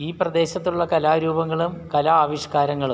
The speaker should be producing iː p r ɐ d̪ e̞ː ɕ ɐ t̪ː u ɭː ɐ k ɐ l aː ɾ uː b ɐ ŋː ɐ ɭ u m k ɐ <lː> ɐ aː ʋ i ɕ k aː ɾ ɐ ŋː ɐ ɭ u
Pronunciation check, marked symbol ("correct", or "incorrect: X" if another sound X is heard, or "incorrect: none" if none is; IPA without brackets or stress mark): incorrect: l